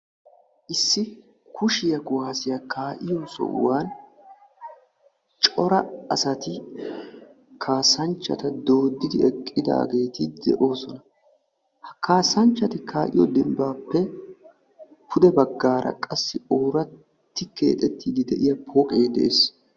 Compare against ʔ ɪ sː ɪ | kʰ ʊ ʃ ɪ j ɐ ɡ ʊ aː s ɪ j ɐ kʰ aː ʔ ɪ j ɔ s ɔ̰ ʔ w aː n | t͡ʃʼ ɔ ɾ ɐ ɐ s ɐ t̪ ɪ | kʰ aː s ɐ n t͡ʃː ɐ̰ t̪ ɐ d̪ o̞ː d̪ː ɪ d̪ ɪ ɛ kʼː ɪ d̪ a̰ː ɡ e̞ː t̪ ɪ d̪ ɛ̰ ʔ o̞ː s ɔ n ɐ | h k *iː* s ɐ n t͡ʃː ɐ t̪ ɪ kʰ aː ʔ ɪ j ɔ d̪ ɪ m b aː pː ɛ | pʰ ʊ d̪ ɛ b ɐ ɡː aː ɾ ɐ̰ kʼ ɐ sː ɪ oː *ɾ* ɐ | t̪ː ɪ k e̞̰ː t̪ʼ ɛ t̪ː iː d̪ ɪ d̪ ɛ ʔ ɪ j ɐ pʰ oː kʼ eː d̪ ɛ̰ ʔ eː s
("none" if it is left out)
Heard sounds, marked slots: aː, ɾ

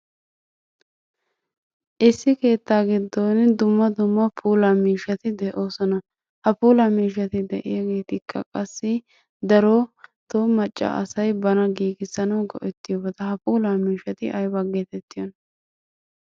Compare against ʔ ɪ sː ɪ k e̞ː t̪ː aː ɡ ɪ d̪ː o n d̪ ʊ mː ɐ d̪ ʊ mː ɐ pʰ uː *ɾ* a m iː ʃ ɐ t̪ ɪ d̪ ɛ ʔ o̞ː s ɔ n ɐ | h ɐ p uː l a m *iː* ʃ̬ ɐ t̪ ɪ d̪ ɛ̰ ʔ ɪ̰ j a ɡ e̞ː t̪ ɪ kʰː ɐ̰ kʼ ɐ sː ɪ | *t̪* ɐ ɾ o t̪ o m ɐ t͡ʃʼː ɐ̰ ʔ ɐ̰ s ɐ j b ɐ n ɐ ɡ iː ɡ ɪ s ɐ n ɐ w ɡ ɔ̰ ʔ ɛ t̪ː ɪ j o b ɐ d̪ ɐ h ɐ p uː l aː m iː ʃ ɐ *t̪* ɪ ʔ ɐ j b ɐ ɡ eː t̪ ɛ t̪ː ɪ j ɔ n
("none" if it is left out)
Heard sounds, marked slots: l, iː, d̪, t̪

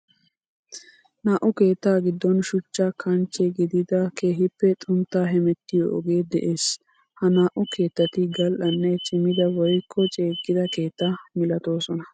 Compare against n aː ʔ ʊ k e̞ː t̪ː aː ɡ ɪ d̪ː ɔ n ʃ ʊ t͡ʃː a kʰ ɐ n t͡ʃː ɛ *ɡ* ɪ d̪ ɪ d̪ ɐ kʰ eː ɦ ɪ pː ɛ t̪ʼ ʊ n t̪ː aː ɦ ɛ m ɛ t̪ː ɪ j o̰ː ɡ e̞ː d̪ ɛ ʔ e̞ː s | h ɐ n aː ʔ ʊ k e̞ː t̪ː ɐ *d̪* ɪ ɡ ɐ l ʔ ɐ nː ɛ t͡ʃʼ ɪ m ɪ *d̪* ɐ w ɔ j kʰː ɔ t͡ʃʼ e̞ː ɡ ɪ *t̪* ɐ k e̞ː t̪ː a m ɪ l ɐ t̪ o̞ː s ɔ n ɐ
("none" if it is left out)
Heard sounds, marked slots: ɡ, t̪, d̪, d̪

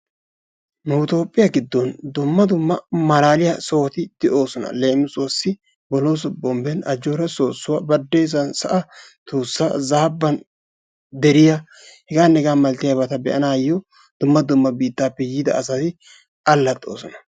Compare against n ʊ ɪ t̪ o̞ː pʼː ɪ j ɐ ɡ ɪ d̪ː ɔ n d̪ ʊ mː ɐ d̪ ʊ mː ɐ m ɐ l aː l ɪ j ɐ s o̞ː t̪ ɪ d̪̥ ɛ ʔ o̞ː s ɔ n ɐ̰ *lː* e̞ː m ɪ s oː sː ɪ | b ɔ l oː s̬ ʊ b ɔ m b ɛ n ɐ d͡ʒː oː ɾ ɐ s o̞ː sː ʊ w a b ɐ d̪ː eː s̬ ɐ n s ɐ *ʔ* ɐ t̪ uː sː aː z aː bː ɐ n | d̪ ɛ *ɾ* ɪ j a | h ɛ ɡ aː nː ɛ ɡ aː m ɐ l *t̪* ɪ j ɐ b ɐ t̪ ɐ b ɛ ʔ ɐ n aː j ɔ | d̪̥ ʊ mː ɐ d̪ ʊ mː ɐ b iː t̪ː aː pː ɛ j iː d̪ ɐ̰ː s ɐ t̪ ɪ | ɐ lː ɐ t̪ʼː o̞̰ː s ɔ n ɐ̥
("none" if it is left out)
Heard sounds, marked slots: l, ʔ, ɾ, t̪

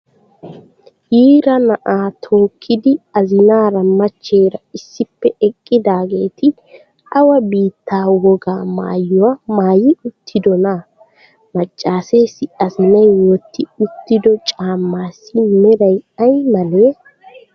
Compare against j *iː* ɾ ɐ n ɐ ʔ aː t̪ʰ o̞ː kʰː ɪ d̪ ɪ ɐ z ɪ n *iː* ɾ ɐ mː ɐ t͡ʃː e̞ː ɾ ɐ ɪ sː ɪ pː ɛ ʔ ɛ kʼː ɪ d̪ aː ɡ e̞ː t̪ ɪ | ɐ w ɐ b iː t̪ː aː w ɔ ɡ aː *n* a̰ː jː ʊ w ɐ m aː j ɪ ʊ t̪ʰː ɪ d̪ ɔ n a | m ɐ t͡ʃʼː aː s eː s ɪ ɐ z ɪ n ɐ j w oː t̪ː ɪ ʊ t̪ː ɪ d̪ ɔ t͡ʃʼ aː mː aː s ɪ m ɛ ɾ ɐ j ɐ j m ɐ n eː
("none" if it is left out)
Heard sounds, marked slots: iː, aː, m

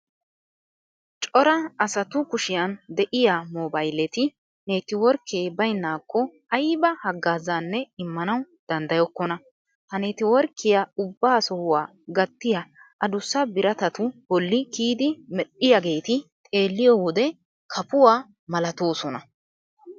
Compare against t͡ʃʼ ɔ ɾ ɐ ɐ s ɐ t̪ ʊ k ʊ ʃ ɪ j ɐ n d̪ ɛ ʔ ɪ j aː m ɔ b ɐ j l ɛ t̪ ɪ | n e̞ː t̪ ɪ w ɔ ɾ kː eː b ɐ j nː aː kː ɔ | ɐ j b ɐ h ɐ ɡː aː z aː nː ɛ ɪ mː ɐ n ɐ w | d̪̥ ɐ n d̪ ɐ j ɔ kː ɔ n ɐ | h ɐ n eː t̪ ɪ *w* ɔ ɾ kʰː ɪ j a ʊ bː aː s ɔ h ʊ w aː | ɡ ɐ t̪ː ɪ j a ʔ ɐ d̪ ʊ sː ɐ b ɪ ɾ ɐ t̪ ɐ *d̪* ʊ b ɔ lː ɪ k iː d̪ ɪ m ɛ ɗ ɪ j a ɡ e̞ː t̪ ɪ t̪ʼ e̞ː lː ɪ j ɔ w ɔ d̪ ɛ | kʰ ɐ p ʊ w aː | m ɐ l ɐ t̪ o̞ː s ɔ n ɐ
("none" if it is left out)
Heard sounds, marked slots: w, t̪

